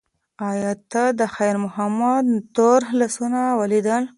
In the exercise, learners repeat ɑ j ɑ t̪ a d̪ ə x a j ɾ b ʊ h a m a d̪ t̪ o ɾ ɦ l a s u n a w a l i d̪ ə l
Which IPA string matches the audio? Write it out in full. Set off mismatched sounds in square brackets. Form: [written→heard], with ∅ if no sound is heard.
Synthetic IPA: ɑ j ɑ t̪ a d̪ ə x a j ɾ [b→m] ʊ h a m a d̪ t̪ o ɾ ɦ l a s u n a w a l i d̪ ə l

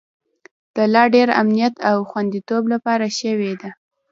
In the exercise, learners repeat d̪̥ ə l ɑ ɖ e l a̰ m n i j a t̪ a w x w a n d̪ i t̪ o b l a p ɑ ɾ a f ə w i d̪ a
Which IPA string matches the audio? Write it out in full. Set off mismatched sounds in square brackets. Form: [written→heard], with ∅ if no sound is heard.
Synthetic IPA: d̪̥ ə l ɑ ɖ e [l→ɾ] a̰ m n i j a t̪ a w x w a n d̪ i t̪ o b l a p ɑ ɾ a [f→ʃ] ə w [i→e] d̪ a

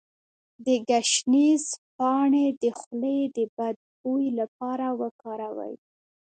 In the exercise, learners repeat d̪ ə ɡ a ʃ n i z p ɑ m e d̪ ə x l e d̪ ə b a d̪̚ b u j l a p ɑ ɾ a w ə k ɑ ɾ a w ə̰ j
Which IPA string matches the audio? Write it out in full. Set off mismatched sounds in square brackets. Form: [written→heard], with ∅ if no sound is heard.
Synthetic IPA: d̪ ə ɡ a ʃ n i z p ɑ [m→ɳ] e d̪ ə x l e d̪ ə b a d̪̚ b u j l a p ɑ ɾ a w ə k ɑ ɾ a w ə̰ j

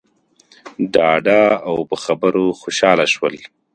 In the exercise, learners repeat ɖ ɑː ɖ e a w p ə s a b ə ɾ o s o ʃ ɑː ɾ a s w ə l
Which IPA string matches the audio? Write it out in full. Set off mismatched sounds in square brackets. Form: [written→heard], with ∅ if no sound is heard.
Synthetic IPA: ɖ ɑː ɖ [e→a] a w p ə [s→x] a b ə ɾ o [s→x] o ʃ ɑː [ɾ→l] a [s→ʃ] w ə l

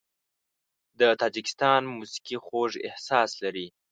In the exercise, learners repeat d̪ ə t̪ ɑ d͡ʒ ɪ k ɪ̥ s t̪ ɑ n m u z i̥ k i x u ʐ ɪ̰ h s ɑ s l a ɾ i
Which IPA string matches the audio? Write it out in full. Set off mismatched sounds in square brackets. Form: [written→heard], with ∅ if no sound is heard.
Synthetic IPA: d̪ ə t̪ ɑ d͡ʒ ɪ k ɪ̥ s t̪ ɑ n m u [z→s] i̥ k i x [u→o] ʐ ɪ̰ h s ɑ s l a ɾ i

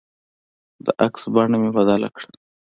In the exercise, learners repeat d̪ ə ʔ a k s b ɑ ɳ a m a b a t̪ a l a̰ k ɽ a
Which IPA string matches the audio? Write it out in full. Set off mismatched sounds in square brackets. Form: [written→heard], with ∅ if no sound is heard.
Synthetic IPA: d̪ ə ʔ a k s b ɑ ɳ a m [a→e] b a [t̪→d̪] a l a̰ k ɽ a

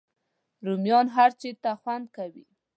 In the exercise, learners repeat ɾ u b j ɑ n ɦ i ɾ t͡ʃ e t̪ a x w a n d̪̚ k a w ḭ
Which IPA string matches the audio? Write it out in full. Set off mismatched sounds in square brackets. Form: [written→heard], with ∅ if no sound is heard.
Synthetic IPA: ɾ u [b→m] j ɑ n ɦ [i→a] ɾ t͡ʃ e t̪ a x w a n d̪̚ k a w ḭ

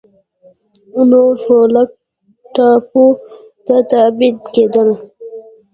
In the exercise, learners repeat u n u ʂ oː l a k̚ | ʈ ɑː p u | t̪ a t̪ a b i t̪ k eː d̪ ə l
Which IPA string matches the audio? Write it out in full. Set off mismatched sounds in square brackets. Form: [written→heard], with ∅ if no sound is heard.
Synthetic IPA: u n [u→o] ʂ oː l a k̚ | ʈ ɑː p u | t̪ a t̪ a b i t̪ k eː d̪ ə l

